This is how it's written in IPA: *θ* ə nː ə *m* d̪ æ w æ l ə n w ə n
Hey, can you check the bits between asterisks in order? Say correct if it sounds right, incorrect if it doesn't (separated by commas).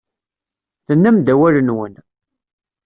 correct, correct